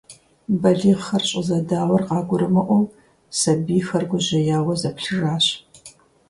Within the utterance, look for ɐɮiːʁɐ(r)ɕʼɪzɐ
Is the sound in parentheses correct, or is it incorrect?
correct